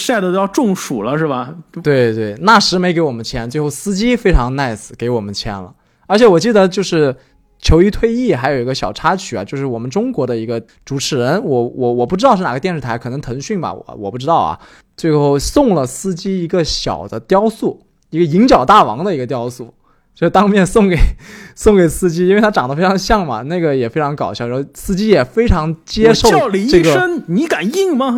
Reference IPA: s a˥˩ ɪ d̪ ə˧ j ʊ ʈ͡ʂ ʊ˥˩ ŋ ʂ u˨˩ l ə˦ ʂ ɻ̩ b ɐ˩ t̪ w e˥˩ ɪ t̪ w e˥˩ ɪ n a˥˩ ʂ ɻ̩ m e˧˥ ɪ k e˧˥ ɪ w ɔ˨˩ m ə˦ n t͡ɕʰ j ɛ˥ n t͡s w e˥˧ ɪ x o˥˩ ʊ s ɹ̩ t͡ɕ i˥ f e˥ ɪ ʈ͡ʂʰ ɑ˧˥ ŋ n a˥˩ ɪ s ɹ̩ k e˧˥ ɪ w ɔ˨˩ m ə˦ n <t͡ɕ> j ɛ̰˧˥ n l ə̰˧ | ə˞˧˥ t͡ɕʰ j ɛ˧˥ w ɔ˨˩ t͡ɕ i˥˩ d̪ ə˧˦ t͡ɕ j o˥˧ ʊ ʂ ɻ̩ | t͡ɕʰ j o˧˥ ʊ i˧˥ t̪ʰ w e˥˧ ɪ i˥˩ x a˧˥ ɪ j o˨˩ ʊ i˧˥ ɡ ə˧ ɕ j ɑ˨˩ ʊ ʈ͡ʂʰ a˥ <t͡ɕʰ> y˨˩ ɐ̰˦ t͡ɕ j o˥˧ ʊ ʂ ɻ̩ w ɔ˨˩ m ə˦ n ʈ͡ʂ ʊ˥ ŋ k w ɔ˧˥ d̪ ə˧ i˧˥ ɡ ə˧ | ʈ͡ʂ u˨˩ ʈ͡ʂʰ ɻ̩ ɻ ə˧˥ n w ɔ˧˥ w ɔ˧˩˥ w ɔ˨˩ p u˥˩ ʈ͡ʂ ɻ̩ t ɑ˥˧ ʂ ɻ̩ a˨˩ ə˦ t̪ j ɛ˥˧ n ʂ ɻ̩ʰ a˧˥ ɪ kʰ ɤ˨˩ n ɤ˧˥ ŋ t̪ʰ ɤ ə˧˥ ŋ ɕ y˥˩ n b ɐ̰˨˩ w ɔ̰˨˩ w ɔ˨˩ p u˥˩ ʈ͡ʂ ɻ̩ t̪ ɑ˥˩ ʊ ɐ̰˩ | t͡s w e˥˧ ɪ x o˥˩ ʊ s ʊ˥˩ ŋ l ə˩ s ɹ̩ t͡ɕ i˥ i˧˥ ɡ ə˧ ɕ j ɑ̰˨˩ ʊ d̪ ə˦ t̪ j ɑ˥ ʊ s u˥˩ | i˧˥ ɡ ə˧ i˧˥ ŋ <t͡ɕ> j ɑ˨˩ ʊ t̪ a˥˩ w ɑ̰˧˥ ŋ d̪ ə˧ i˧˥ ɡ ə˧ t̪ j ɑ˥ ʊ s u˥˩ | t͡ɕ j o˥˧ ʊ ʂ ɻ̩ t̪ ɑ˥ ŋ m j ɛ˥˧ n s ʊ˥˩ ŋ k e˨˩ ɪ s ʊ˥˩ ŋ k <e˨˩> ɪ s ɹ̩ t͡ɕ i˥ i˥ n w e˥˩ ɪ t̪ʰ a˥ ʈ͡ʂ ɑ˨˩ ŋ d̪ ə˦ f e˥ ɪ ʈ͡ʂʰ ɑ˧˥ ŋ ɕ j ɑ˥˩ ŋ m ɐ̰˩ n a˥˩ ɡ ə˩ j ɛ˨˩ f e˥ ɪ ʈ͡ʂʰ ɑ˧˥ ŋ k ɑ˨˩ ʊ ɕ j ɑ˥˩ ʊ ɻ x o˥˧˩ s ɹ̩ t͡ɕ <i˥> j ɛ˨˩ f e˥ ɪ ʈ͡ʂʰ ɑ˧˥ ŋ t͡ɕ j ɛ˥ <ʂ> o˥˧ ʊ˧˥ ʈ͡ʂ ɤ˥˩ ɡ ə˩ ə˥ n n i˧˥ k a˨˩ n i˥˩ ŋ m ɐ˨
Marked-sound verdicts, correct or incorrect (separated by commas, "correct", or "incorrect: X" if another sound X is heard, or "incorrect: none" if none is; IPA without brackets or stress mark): incorrect: t͡ɕʰ, correct, correct, correct, correct, correct